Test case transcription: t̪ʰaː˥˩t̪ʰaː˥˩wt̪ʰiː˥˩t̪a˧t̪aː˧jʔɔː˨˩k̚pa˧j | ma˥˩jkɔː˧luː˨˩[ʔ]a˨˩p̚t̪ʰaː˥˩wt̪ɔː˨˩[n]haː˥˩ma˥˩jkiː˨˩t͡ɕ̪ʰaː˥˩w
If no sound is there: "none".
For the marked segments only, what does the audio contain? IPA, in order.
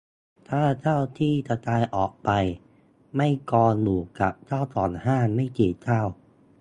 k, n

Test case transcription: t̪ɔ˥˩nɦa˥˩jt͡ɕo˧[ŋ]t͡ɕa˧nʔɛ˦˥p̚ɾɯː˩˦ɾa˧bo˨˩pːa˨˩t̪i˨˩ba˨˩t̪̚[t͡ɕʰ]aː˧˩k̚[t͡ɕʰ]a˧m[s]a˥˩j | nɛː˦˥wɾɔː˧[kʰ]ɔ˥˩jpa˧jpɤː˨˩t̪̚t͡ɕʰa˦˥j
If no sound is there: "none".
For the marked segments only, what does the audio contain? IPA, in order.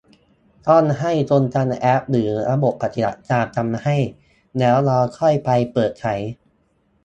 n, t͡ɕ, t͡ɕ, h, kʰ

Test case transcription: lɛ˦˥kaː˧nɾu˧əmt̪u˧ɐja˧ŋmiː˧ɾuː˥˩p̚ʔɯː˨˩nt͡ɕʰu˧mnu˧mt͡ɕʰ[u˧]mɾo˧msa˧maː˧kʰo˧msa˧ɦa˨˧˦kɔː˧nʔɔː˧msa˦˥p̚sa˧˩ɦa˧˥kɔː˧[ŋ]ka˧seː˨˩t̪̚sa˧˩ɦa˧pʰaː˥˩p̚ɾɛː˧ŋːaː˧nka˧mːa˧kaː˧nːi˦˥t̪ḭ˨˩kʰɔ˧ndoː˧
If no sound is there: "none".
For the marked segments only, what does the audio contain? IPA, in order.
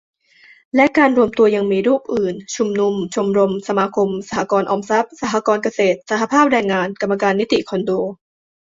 u˧, n

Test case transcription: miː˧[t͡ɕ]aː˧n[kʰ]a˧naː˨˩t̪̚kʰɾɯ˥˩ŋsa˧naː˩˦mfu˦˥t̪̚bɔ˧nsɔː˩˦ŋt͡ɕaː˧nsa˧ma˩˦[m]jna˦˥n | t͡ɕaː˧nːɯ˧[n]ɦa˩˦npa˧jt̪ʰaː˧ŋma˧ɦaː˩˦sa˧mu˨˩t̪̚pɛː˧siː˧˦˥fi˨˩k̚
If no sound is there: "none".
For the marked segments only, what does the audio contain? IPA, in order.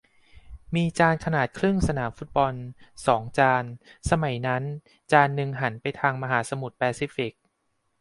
t͡ɕ, kʰ, none, ŋ

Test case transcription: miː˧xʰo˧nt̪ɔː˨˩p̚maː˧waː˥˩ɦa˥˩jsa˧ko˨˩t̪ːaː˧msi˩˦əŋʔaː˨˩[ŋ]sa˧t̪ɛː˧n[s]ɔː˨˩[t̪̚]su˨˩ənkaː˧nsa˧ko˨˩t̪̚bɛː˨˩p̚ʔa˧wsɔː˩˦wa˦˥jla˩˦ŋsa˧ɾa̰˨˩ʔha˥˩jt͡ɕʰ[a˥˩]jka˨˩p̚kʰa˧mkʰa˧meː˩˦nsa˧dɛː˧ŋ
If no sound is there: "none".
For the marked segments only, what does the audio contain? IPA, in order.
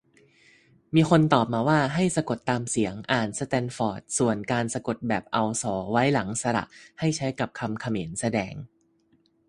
n, f, t̪̚, a˦˥

